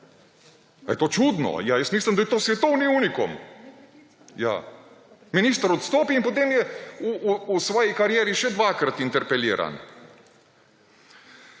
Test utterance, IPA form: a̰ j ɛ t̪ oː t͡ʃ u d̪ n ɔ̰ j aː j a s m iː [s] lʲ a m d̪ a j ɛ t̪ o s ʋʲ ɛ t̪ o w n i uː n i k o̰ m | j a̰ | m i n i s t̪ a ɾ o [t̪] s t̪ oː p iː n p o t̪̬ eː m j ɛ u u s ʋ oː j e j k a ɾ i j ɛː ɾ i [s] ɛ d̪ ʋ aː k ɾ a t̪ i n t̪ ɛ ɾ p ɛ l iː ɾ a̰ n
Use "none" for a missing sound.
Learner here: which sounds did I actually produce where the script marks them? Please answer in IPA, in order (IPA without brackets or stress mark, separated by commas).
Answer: s, t̪, ʃ